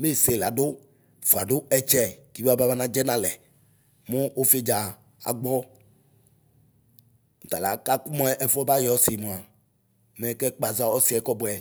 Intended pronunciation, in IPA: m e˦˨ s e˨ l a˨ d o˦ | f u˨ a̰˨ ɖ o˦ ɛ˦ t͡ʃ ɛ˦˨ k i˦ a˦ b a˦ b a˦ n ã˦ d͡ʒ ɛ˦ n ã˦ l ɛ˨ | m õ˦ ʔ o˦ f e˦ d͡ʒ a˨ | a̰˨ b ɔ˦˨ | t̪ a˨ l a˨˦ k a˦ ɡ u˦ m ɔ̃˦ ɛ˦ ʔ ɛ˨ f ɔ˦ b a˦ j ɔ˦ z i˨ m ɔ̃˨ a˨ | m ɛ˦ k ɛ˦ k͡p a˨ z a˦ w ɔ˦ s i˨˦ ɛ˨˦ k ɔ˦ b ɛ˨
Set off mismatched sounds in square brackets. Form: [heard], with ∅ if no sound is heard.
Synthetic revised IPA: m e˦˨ s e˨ l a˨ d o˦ | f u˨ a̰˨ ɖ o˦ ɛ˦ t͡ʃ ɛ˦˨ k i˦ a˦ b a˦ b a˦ n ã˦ d͡ʒ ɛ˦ n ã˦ l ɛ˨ | m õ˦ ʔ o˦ f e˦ d͡ʒ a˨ | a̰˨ [ɡ͡b] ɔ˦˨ | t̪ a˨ l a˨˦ k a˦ [k] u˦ m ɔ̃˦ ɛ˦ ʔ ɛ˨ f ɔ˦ b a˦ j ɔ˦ [s] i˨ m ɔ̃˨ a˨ | m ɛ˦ k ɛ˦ k͡p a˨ z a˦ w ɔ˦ s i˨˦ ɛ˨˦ k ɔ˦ b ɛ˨